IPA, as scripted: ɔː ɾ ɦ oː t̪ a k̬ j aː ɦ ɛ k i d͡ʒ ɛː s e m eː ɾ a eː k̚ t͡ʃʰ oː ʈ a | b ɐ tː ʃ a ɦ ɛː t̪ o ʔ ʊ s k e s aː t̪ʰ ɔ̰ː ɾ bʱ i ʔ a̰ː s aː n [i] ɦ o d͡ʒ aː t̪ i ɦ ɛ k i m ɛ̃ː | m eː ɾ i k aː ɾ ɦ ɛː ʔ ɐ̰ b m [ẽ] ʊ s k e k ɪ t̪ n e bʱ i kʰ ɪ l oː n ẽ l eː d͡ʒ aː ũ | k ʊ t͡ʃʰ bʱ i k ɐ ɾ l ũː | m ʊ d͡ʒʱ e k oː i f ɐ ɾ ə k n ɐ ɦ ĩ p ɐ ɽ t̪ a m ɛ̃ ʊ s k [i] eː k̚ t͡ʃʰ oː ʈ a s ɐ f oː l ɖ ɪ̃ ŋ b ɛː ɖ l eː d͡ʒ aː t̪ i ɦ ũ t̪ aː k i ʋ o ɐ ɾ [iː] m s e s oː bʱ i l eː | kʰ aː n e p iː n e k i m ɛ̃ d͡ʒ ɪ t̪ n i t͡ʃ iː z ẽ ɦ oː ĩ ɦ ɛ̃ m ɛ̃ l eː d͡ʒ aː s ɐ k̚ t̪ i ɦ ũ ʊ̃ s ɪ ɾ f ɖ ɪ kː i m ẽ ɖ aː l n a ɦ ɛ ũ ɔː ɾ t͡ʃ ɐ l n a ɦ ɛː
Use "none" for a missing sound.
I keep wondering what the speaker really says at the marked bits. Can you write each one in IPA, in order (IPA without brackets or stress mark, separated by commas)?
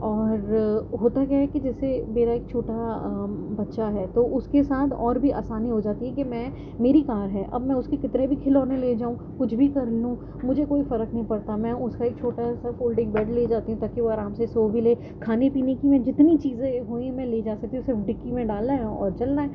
i, ɛ̃, a, aː